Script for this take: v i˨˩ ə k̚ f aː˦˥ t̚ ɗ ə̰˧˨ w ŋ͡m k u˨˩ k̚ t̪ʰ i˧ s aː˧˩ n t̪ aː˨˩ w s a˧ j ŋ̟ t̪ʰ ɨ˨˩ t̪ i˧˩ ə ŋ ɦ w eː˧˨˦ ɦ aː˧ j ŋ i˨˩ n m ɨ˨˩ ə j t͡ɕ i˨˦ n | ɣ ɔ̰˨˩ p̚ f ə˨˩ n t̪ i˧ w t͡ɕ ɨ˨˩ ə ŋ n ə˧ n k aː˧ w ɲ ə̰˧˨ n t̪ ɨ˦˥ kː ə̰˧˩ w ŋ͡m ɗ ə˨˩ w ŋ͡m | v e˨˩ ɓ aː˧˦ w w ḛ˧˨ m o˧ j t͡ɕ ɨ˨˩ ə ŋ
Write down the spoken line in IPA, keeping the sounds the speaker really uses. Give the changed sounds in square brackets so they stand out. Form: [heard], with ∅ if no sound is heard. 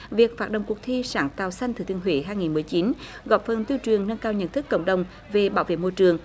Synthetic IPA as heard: v i˨˩ ə k̚ f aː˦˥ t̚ ɗ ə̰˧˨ w ŋ͡m k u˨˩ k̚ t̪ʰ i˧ s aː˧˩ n t̪ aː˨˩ w s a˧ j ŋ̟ [t̪] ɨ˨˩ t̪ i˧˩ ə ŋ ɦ w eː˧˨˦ ɦ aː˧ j ŋ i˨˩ n m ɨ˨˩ ə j t͡ɕ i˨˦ n | ɣ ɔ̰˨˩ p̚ f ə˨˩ n t̪ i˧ w t͡ɕ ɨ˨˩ ə ŋ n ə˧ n k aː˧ w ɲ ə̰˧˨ n t̪ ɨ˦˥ kː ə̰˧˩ w ŋ͡m ɗ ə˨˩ w ŋ͡m | v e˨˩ ɓ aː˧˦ w [v] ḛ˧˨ m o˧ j t͡ɕ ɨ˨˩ ə ŋ